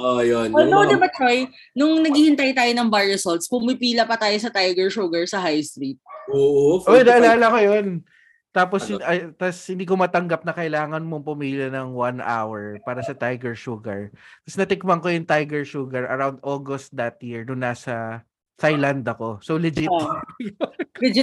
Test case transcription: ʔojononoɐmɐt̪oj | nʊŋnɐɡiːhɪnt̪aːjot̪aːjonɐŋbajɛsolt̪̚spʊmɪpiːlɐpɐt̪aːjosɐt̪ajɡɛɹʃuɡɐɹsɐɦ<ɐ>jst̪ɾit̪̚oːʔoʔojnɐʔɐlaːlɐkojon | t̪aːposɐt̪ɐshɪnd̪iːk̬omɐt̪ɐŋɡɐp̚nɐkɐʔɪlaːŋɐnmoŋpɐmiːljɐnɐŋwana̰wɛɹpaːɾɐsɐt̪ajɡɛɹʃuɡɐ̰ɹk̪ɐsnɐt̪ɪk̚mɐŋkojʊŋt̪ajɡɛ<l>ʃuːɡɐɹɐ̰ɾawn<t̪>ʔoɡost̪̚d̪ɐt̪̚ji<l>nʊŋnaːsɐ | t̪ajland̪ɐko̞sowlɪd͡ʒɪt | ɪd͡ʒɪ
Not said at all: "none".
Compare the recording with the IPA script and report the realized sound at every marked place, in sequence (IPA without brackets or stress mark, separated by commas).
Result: a, ɹ, d̪, ɹ